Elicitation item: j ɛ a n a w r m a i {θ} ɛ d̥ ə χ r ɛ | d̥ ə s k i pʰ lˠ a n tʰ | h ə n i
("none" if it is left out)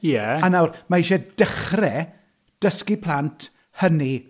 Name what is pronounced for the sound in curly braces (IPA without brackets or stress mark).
ʃ